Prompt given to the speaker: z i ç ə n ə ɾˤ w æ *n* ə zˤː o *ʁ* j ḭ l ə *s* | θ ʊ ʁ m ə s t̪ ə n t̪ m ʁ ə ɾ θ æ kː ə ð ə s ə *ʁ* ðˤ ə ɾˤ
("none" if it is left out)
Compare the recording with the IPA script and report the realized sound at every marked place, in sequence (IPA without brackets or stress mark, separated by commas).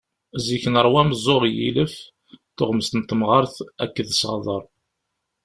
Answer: m, ʁ, f, ʁ